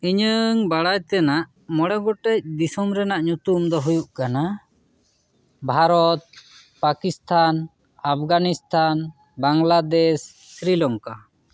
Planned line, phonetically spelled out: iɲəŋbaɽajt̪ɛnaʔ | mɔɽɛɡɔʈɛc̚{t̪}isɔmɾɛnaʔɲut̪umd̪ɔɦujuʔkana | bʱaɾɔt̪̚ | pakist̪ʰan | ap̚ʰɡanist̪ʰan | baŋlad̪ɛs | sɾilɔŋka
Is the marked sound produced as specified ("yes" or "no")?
no